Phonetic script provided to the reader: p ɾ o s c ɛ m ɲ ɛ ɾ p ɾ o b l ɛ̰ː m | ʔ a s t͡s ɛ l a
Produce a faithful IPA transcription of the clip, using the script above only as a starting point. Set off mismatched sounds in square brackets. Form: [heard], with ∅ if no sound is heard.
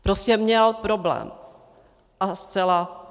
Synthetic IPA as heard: p ɾ o s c ɛ m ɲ ɛ [l] p ɾ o b l ɛ̰ː m | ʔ a s t͡s ɛ l a